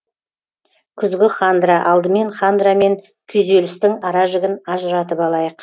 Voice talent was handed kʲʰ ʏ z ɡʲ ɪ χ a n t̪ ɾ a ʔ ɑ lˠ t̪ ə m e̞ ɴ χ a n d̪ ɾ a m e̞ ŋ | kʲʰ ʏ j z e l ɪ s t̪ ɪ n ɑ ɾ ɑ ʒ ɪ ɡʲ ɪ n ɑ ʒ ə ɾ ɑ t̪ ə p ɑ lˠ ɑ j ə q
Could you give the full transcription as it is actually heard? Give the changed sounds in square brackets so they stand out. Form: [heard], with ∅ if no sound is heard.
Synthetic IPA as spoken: kʲʰ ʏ z ɡʲ ɪ χ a n [d̪] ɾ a ʔ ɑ lˠ [d̪] ə m e̞ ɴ χ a n d̪ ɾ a m e̞ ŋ | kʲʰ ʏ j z e l ɪ s t̪ ɪ [ŋ] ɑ ɾ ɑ ʒ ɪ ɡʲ ɪ n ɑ ʒ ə ɾ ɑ t̪ ə p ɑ lˠ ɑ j ə q